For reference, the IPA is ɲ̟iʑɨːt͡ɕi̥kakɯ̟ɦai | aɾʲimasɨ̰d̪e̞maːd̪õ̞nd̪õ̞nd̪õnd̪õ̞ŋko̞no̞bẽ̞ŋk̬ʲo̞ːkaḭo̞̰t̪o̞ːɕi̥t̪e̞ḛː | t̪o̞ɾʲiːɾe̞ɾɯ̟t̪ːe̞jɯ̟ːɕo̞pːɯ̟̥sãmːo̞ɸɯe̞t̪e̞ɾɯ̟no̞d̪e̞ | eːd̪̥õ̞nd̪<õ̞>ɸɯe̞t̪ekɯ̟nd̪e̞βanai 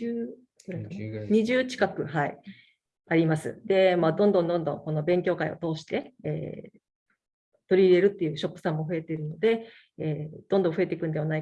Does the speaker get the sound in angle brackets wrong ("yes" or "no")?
no